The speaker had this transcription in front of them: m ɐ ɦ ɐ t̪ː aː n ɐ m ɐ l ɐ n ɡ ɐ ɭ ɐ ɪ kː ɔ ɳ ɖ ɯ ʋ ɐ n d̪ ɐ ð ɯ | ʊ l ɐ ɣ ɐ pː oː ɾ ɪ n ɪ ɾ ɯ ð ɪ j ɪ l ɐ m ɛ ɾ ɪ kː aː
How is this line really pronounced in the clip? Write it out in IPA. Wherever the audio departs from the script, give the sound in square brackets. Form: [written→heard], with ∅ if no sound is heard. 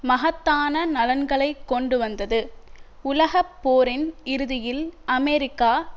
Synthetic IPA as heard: m ɐ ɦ ɐ t̪ː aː n ɐ [m→n] ɐ l ɐ n ɡ ɐ ɭ ɐ ɪ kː ɔ ɳ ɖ ɯ ʋ ɐ n d̪ ɐ ð ɯ | ʊ l ɐ ɣ ɐ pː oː ɾ ɪ n ɪ ɾ ɯ ð ɪ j ɪ l ɐ m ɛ ɾ ɪ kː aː

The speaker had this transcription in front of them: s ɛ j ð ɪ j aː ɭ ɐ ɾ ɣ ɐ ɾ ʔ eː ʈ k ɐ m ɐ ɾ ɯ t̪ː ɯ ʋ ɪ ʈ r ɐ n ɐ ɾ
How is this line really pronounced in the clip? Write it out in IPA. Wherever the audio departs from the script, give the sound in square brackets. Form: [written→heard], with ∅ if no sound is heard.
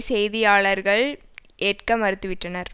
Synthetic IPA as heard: s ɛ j ð ɪ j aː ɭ ɐ ɾ ɣ ɐ [ɾ→ɭ] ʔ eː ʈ k ɐ m ɐ ɾ ɯ t̪ː ɯ ʋ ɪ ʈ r ɐ n ɐ ɾ

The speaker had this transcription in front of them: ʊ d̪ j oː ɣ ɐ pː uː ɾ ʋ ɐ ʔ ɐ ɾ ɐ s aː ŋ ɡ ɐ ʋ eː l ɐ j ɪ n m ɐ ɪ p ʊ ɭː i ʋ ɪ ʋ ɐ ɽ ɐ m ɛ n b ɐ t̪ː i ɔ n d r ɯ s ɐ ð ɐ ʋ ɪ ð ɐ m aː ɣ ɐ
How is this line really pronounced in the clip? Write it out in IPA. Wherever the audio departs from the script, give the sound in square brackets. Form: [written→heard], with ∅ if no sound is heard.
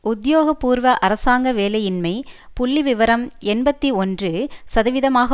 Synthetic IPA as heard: ʊ d̪ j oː ɣ ɐ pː uː ɾ ʋ ɐ ʔ ɐ ɾ ɐ s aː ŋ ɡ ɐ ʋ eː l ɐ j ɪ n m ɐ ɪ p ʊ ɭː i ʋ ɪ ʋ ɐ [ɽ→ɾ] ɐ m ɛ n b ɐ t̪ː i ɔ n d r ɯ s ɐ ð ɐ ʋ ɪ ð ɐ m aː ɣ ɐ

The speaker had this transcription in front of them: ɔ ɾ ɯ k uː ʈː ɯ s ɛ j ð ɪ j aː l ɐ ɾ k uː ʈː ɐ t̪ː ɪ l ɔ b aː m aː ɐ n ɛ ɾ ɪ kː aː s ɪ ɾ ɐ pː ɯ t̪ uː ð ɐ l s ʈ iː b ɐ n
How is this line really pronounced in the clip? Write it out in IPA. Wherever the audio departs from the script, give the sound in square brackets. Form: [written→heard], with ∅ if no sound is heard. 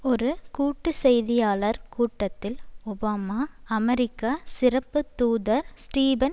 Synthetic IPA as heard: ɔ ɾ ɯ k uː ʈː ɯ s ɛ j ð ɪ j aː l ɐ ɾ k uː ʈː ɐ t̪ː ɪ l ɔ b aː m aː ɐ [n→m] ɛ ɾ ɪ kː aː s ɪ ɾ ɐ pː ɯ t̪ uː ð ɐ [l→ɾ] s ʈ iː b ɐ n

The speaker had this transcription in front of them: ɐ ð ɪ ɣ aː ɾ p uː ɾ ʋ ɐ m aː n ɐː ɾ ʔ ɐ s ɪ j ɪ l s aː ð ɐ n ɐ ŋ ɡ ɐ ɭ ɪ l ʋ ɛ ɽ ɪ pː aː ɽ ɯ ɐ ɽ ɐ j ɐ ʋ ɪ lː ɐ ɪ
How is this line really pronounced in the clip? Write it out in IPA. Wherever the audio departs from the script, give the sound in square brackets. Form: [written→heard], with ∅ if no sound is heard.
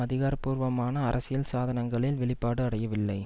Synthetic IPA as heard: ɐ ð ɪ ɣ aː ɾ p uː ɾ ʋ ɐ m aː n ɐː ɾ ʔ ɐ s ɪ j ɪ l s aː ð ɐ n ɐ ŋ ɡ ɐ ɭ ɪ l ʋ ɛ [ɽ→ɭ] ɪ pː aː ɽ ɯ ɐ ɽ ɐ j ɐ ʋ ɪ lː ɐ ɪ

